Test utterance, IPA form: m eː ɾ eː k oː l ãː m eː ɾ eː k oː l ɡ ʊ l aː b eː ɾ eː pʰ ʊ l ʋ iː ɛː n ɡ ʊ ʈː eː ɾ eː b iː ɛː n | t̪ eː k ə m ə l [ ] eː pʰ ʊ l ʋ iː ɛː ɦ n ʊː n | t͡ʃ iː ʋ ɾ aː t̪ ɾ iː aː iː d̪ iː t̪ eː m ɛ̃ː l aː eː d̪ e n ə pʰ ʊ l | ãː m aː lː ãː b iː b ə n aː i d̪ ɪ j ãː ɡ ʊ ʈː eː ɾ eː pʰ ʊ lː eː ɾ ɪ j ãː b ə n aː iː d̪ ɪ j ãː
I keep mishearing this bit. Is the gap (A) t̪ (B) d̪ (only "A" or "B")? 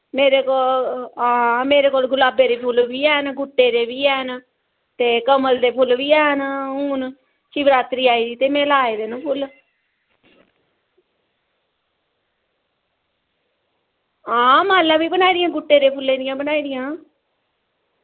B